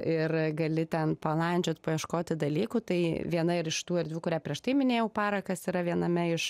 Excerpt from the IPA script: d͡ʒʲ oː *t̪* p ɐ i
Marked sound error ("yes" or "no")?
no